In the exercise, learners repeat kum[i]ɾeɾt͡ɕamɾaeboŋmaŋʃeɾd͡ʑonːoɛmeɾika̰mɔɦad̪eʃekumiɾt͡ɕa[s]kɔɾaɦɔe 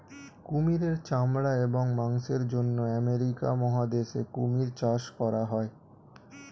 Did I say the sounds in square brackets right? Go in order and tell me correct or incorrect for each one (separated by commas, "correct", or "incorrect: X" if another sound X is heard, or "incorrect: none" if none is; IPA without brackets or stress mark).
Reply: correct, incorrect: ʃ